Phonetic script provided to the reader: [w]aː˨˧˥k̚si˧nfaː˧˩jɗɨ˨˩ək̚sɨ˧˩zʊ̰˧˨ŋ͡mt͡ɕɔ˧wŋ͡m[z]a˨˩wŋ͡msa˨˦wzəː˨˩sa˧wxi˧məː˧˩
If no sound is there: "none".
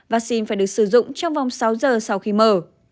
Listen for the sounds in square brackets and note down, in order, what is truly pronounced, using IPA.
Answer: v, v

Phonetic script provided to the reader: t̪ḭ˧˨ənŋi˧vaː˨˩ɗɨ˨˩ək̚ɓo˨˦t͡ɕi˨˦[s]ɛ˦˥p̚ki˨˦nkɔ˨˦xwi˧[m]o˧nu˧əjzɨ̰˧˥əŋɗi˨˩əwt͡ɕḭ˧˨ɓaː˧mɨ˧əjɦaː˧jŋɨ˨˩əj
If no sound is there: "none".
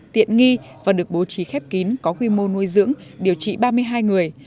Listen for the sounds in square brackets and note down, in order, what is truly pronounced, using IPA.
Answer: x, m

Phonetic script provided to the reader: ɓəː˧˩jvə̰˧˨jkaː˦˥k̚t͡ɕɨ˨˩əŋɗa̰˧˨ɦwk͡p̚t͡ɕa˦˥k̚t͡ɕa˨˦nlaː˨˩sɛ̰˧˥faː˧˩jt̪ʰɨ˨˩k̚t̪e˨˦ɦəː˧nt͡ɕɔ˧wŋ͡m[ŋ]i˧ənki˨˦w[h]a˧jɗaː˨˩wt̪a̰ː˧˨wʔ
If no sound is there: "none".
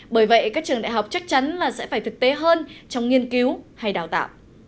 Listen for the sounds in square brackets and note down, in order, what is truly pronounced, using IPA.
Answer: ŋ, h

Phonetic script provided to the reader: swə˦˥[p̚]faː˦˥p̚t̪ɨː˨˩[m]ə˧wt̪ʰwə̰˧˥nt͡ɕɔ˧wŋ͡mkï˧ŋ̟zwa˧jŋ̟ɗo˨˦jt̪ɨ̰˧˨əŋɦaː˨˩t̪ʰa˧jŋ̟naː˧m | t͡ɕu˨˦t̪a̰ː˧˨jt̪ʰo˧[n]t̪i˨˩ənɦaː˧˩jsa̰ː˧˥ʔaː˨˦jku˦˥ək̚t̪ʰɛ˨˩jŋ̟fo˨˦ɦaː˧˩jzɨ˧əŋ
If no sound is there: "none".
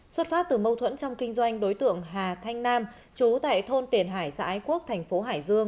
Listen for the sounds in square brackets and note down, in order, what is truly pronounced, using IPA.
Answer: t̚, m, n

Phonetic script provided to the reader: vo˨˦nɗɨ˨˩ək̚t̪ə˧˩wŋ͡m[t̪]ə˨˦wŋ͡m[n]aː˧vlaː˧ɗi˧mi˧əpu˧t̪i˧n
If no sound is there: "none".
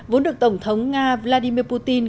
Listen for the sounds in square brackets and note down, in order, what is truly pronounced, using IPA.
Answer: t̪ʰ, ŋ

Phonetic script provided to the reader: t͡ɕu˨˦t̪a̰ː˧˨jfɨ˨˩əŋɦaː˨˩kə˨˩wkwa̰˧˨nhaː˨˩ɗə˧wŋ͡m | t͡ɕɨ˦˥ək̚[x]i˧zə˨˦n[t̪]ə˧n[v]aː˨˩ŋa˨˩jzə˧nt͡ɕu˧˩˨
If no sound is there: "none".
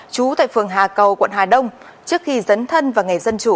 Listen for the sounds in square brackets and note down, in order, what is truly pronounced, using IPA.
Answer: x, t̪ʰ, v

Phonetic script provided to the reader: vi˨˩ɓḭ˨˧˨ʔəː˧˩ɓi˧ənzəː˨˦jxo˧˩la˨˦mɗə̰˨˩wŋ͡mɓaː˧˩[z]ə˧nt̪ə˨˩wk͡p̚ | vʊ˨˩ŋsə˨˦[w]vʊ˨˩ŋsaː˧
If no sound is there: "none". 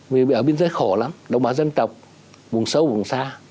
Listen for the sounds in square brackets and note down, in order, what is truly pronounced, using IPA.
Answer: z, w

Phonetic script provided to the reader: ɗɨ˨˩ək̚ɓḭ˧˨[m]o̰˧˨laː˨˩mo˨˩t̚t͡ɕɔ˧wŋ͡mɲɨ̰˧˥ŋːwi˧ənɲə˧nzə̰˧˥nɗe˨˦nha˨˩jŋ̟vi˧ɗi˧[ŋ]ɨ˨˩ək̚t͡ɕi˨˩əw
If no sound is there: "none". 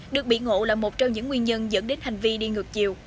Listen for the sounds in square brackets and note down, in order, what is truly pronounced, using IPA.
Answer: ŋ, ŋ

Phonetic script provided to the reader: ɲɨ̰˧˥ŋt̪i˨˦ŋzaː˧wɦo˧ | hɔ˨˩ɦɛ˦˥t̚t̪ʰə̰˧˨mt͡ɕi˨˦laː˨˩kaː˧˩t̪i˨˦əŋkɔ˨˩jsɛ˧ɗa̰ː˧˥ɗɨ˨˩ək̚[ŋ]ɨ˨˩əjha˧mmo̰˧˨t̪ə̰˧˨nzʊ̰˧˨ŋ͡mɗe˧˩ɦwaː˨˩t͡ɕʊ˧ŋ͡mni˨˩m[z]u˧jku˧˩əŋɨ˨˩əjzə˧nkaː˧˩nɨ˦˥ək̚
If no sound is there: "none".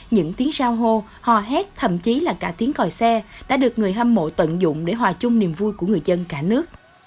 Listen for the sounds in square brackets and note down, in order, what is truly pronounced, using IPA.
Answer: ŋ, v

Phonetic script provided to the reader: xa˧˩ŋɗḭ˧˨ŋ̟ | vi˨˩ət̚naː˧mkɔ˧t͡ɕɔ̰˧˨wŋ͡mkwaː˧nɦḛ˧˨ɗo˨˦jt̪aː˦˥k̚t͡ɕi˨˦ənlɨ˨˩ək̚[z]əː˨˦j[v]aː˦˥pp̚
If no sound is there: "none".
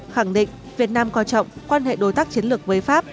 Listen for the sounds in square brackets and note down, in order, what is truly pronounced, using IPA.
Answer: v, f

